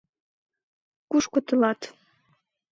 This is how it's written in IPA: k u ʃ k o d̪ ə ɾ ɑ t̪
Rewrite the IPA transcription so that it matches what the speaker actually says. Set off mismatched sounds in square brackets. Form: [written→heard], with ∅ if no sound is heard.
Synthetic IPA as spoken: k u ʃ k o [d̪→t̪] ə [ɾ→l] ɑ t̪